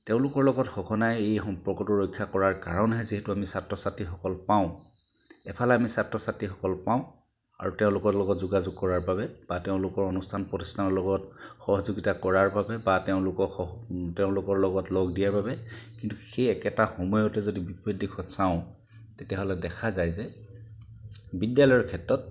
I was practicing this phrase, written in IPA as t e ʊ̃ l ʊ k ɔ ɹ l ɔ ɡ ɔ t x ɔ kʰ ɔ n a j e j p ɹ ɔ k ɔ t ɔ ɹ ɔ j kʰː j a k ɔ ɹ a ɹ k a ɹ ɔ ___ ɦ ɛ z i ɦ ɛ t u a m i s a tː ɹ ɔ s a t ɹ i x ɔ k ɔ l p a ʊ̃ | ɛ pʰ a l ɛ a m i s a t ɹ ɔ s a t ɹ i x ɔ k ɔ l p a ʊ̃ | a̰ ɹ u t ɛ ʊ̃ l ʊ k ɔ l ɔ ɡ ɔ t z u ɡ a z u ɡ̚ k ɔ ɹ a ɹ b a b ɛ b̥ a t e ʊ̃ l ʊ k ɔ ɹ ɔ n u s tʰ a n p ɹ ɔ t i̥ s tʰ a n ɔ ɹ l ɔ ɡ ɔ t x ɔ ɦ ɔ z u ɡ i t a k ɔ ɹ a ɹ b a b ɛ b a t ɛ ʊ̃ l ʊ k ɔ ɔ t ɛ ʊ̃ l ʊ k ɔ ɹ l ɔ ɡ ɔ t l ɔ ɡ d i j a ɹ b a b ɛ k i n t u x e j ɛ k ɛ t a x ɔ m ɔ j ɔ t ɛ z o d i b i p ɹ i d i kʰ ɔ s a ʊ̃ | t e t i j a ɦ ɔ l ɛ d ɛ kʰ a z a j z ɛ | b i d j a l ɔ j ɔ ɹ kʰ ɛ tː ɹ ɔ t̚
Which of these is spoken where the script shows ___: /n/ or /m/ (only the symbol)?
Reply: n